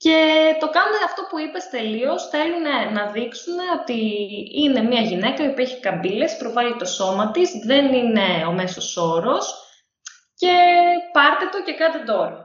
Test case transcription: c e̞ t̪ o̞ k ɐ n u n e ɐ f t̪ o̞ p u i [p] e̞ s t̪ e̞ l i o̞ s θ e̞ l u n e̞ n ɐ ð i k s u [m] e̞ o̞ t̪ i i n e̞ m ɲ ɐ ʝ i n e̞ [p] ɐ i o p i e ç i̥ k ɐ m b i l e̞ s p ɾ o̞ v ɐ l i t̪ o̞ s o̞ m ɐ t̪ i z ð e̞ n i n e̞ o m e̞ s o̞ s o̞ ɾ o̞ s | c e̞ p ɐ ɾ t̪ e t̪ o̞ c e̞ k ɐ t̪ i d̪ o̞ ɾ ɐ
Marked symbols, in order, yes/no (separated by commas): yes, no, no